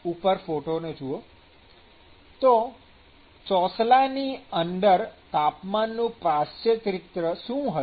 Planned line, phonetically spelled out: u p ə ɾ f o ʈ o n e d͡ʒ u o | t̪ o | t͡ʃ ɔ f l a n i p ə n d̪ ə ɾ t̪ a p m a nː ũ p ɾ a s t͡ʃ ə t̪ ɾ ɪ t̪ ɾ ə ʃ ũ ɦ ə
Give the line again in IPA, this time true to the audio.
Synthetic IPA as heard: u p ə ɾ f o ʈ o n e d͡ʒ u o | t̪ o | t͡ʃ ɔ s l a n i ə n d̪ ə ɾ t̪ a p m a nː ũ p ɾ a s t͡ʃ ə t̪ ɾ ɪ t̪ ɾ ə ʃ ũ ɦ ə